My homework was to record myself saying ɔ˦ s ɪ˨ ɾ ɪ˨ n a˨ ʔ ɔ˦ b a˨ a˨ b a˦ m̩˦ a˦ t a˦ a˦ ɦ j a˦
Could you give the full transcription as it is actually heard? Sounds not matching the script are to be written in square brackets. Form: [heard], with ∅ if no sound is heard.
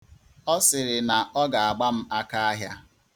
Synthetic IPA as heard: ɔ˦ s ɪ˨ ɾ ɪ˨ n a˨ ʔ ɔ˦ [ɡ] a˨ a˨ [ɡ͡b] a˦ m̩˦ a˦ [k] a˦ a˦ ɦ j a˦